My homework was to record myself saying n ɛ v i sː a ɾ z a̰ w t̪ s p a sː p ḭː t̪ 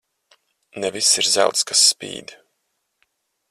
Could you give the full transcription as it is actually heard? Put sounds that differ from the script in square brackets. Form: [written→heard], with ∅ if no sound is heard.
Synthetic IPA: n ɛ v i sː [a→i] ɾ z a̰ w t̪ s [p→k] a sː p ḭː [t̪→d̪]